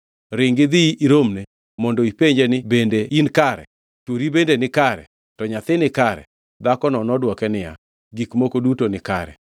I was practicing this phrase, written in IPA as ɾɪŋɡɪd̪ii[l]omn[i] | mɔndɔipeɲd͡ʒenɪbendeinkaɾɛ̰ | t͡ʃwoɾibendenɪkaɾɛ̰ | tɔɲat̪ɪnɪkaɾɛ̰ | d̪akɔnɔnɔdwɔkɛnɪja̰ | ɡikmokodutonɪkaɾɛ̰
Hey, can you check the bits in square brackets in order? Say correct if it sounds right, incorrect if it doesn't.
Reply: incorrect, incorrect

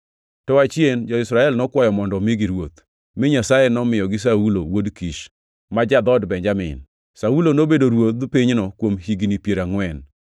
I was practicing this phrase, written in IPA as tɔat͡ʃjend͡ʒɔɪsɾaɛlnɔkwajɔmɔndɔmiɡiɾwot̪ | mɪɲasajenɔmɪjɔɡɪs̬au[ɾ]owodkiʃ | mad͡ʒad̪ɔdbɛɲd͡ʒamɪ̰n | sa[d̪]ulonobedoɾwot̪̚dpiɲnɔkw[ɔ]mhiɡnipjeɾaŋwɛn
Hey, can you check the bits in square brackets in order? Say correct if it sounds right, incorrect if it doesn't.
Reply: incorrect, incorrect, incorrect

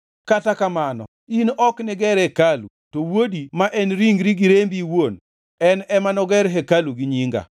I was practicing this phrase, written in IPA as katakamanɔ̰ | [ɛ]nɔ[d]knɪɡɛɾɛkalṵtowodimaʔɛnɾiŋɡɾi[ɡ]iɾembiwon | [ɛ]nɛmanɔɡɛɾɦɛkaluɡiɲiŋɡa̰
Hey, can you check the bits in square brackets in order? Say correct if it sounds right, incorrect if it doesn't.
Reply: incorrect, incorrect, correct, correct

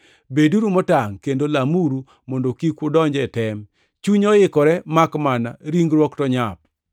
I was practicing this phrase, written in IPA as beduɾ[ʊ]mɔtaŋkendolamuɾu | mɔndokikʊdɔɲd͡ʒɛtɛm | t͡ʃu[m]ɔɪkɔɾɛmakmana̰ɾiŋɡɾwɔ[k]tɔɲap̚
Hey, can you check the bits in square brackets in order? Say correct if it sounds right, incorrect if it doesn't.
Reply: incorrect, incorrect, correct

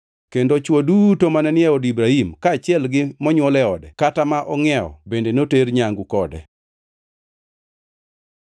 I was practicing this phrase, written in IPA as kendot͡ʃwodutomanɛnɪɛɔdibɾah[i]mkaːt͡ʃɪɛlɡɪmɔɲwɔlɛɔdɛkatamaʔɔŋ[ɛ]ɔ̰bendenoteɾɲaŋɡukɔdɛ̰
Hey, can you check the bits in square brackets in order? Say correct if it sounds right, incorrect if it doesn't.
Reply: correct, correct

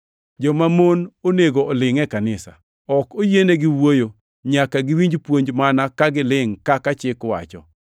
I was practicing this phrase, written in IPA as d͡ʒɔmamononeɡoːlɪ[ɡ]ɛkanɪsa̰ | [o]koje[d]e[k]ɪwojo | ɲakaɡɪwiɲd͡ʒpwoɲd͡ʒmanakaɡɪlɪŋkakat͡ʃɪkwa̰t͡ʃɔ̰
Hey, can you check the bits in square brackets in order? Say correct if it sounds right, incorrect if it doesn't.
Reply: incorrect, incorrect, incorrect, incorrect

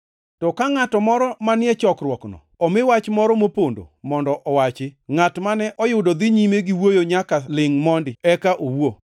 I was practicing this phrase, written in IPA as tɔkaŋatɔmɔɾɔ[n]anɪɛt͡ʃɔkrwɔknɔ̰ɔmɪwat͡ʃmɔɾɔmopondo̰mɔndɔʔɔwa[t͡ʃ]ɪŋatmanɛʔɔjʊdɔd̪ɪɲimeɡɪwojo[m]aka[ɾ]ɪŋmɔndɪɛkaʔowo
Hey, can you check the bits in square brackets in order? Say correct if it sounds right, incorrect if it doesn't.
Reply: incorrect, correct, incorrect, incorrect

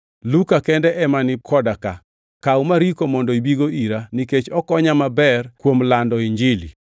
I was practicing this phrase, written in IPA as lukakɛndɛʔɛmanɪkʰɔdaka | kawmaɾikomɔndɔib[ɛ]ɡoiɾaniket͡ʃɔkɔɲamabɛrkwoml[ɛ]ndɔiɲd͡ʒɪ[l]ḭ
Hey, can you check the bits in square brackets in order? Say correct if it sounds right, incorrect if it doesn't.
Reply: incorrect, incorrect, correct

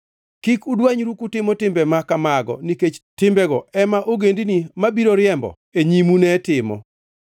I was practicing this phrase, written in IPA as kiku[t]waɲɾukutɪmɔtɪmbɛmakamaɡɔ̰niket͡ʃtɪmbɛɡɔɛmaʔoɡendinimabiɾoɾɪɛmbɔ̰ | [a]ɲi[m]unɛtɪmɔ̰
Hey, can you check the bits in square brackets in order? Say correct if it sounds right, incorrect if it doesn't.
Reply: incorrect, incorrect, correct

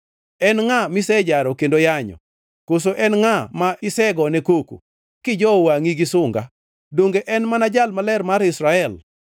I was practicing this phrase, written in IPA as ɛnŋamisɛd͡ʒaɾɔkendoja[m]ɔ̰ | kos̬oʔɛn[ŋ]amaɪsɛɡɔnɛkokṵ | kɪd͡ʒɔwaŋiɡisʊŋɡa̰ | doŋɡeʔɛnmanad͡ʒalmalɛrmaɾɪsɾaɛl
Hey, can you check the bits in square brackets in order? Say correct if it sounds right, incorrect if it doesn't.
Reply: incorrect, correct

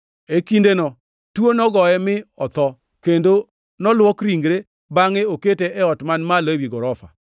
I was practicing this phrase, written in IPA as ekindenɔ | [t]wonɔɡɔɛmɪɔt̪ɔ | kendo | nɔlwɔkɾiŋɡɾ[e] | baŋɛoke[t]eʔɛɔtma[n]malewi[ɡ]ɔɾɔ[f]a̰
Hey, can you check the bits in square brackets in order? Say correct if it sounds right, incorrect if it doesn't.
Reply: correct, correct, correct, correct, correct, correct

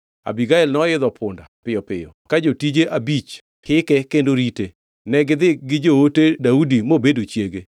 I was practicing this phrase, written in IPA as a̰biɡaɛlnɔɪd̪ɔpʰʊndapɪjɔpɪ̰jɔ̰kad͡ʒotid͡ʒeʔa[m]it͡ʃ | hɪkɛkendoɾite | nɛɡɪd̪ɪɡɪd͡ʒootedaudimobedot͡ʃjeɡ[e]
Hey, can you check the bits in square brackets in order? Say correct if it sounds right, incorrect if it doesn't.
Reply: incorrect, correct

